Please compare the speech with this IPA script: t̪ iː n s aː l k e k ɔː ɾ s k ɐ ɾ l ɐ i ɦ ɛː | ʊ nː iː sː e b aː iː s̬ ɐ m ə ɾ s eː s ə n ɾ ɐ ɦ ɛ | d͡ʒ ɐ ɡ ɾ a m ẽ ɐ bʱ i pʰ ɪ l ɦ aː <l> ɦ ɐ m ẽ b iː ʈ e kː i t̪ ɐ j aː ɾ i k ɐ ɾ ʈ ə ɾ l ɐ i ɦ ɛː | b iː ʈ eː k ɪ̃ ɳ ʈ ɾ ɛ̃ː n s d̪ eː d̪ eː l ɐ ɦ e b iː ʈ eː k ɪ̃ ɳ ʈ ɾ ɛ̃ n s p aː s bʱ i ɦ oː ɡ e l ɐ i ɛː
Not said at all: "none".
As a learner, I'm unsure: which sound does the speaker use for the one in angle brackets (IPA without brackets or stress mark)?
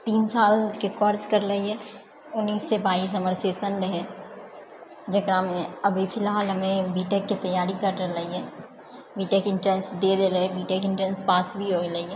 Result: l